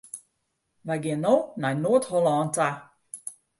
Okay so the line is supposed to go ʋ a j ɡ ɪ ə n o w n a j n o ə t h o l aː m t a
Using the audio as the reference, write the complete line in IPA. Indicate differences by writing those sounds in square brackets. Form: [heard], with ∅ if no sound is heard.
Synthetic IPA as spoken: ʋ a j ɡ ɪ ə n o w n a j n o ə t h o l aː [n] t a